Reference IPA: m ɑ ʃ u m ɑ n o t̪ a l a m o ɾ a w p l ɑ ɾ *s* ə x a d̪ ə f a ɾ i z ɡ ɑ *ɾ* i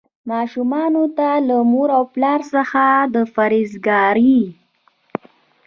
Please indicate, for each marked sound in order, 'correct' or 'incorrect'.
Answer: correct, correct

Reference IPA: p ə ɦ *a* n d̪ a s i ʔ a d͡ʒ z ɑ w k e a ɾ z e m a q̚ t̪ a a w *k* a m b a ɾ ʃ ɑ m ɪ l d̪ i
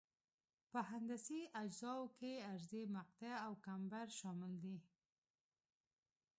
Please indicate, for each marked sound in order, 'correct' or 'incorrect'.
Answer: correct, correct

